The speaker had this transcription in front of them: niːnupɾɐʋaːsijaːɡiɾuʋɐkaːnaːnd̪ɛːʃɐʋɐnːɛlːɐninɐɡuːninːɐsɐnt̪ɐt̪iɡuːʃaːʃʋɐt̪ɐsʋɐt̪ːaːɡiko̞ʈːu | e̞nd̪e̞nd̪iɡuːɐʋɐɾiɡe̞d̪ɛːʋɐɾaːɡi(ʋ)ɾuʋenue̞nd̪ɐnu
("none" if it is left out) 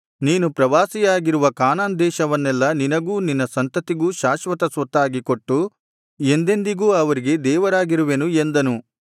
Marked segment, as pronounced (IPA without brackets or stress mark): none